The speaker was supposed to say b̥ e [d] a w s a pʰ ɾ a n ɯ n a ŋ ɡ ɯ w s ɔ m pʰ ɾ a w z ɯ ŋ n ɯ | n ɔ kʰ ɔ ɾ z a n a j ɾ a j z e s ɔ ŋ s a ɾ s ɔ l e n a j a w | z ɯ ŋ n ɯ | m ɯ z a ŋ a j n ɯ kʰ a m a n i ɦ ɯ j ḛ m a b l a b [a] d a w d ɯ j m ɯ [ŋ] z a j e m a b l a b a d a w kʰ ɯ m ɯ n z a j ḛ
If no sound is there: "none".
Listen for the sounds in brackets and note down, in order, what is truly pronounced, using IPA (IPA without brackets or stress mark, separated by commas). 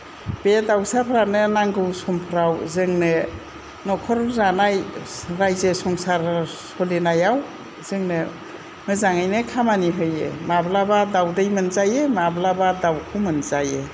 d, a, n